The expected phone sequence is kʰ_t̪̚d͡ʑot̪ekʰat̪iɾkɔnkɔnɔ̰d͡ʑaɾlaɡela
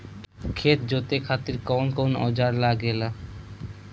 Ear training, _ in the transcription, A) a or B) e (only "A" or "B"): B